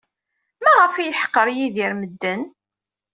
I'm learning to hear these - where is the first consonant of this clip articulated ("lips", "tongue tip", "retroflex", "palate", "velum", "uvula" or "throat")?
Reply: lips